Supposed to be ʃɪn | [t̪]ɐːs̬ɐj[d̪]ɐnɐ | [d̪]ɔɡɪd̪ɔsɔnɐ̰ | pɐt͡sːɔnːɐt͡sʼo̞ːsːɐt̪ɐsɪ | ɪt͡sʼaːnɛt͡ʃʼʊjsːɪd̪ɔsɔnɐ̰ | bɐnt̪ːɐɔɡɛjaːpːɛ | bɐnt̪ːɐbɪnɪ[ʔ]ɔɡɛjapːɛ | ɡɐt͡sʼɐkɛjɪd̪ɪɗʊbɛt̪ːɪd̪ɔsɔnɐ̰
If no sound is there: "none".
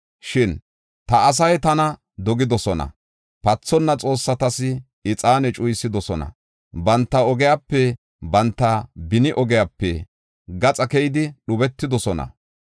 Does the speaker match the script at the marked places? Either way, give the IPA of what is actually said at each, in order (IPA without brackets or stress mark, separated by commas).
t̪, t̪, d̪, ʔ